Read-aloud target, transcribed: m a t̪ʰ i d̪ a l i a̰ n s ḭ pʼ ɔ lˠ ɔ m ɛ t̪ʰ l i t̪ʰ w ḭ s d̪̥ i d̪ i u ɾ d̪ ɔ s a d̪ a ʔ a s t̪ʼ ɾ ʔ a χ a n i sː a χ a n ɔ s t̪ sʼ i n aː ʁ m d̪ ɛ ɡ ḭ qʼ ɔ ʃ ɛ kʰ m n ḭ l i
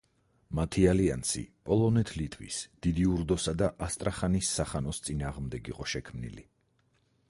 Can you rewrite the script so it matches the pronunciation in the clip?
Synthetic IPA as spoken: m a t̪ʰ i a l i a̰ n s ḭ pʼ ɔ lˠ ɔ n ɛ t̪ʰ l i t̪ʰ w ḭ s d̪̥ i d̪ i u ɾ d̪ ɔ s a d̪ a ʔ a s t̪ʼ ɾ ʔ a χ a n i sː a χ a n ɔ s t̪ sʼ i n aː ʁ m d̪ ɛ ɡ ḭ qʼ ɔ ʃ ɛ kʰ m n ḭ l i

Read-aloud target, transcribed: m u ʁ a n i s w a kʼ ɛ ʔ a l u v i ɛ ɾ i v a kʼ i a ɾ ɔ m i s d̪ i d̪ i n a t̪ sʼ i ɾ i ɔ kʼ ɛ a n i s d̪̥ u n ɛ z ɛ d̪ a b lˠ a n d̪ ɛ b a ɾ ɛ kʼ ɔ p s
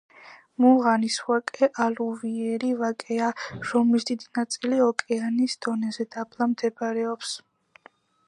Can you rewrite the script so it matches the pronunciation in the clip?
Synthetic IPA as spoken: m u ʁ a n i s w a kʼ ɛ ʔ a l u v i ɛ ɾ i v a kʼ ɛ a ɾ ɔ m i s d̪ i d̪ i n a t̪ sʼ i l i ɔ kʼ ɛ a n i s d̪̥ ɔ n ɛ z ɛ d̪ a b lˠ a m d̪ ɛ b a ɾ ɛ ɔ p s

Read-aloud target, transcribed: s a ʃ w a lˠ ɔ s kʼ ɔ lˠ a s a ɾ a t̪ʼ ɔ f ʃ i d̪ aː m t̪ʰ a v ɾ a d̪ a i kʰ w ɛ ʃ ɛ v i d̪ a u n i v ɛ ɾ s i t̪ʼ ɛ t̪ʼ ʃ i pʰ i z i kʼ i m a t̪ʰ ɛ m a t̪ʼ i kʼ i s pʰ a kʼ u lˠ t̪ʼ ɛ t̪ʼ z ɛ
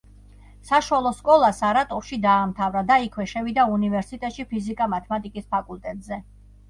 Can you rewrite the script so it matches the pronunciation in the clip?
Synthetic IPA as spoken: s a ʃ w a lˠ ɔ s kʼ ɔ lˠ a s a ɾ a t̪ʼ ɔ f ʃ i d̪ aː m t̪ʰ a v ɾ a d̪ a i kʰ w ɛ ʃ ɛ v i d̪ a u n i v ɛ ɾ s i t̪ʼ ɛ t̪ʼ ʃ i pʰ i z i kʼ a m a t̪ʰ ɛ m a t̪ʼ i kʼ i s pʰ a kʼ u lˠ t̪ʼ ɛ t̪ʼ z ɛ

